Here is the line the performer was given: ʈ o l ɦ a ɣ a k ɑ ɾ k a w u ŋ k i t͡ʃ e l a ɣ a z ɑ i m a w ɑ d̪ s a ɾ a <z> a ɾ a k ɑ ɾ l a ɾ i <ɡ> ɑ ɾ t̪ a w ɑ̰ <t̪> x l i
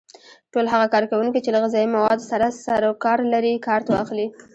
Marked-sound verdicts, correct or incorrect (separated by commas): incorrect, incorrect, incorrect